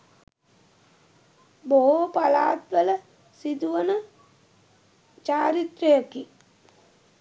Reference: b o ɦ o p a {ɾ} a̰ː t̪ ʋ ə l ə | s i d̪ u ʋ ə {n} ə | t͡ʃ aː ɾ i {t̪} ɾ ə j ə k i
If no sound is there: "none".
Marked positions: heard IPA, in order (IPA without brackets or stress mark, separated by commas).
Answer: l, n, t̪